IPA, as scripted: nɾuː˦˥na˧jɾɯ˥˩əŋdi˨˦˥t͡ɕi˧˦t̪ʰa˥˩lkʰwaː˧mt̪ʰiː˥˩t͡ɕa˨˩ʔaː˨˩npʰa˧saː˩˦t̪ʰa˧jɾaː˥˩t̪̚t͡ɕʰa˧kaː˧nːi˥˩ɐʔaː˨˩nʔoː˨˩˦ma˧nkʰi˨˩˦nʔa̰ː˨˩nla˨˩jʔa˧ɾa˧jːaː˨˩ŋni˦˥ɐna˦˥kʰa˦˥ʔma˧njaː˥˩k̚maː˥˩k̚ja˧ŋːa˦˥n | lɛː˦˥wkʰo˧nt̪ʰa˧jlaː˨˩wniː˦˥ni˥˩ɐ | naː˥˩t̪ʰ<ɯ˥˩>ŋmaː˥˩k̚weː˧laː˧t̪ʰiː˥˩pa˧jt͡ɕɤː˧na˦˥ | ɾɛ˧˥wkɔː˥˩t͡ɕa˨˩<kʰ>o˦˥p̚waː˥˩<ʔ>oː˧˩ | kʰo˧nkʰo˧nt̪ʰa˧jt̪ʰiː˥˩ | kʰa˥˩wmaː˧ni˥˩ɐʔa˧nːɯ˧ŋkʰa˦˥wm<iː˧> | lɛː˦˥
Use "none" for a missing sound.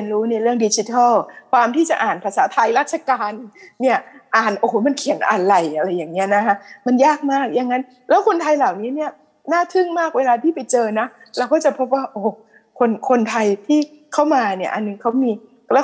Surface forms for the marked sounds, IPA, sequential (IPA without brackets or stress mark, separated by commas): ɯ˥˩, pʰ, ʔ, iː˧